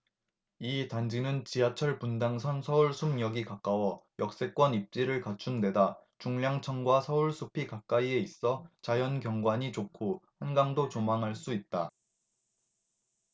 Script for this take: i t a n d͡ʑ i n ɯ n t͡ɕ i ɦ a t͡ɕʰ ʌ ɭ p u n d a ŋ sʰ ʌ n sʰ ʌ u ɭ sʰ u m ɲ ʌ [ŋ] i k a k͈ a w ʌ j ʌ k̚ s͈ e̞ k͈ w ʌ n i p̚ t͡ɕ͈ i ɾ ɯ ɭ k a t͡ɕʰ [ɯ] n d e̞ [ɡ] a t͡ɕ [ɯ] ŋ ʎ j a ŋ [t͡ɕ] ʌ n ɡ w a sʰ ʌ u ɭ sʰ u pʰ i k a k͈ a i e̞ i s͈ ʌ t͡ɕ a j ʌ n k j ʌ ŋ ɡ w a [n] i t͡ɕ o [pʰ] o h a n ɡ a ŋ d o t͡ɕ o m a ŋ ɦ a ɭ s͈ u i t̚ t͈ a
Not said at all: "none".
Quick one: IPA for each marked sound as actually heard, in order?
ɡ, u, d, u, t͡ɕʰ, ɲ, kʰ

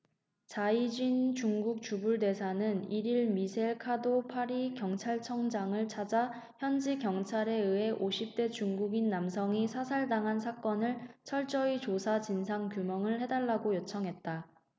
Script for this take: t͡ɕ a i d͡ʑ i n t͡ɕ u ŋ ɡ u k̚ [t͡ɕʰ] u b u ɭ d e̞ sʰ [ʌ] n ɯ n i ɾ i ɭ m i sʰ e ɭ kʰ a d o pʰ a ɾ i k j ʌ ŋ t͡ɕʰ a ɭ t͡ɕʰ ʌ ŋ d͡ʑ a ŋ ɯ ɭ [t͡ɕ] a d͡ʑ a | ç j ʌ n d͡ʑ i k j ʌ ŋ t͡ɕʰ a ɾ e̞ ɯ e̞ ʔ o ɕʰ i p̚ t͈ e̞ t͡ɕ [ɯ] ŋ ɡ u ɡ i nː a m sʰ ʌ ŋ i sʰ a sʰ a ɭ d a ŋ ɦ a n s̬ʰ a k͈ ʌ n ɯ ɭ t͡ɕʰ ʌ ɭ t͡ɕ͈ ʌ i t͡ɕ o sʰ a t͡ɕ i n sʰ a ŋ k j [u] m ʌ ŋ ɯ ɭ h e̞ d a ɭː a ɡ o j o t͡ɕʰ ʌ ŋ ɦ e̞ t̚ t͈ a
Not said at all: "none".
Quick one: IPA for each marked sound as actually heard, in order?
t͡ɕ, a, t͡ɕʰ, u, u

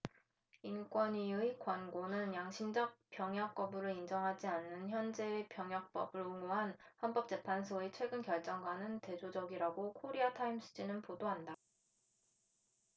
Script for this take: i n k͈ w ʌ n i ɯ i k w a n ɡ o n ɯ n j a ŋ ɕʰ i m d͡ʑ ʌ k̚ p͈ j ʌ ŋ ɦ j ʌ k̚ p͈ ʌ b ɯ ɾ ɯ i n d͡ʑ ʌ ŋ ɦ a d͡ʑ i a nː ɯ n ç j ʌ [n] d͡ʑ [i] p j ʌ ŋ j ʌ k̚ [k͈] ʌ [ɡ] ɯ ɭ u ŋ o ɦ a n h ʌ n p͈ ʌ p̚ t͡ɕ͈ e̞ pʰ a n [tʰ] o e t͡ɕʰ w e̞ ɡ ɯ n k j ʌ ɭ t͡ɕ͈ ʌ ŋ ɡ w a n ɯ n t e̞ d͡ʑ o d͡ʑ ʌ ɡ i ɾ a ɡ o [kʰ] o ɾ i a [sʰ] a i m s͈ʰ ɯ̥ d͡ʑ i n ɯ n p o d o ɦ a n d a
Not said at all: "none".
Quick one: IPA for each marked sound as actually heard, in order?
n, e, p͈, b, sʰ, kʰ, tʰ

